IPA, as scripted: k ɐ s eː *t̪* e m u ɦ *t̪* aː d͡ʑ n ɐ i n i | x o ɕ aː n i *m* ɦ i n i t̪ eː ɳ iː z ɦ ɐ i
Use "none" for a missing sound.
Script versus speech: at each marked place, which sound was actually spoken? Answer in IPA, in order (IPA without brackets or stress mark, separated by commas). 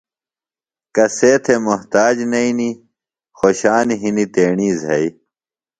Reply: t̪ʰ, t̪, none